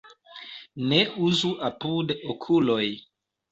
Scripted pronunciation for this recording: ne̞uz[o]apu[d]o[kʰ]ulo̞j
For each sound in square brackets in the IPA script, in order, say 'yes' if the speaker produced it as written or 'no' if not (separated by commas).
no, yes, yes